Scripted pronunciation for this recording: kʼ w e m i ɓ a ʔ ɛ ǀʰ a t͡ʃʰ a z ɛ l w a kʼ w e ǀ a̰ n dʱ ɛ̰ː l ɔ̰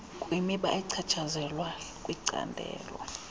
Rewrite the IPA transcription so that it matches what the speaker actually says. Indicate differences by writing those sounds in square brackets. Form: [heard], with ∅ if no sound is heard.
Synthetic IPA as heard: kʼ w [i] m i ɓ a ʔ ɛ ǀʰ a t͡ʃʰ a z ɛ l w a kʼ w [i] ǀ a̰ n dʱ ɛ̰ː l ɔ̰